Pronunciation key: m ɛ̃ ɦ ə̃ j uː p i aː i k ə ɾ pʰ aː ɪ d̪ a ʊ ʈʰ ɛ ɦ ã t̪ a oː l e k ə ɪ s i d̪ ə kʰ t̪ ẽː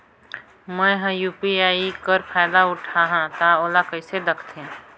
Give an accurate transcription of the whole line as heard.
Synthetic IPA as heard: m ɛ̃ ɦ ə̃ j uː p i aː i k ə ɾ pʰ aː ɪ d̪ a ʊ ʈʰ a ɦ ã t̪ a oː l a k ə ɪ s e d̪ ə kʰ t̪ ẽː